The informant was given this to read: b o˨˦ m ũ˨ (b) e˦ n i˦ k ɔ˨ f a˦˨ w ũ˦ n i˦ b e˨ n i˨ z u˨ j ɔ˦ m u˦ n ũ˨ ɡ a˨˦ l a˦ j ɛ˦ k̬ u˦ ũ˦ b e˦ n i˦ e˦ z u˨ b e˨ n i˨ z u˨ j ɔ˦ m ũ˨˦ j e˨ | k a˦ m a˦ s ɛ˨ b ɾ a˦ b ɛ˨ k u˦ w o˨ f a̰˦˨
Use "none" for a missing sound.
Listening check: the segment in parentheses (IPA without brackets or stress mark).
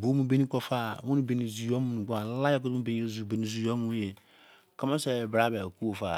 b